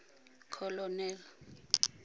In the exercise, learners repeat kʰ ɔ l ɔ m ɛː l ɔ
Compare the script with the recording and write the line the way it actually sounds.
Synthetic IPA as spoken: kʰ ɔ l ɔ n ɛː l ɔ